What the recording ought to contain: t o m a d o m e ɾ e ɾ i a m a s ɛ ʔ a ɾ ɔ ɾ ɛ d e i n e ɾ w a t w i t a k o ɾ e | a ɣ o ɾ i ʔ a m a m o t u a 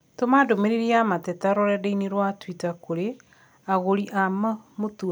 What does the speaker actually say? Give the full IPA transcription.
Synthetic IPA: t o m a d o m e ɾ e ɾ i a m a t ɛ t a ɾ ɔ ɾ ɛ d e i n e ɾ w a t w i t a k o ɾ e | a ɣ o ɾ i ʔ a m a m o t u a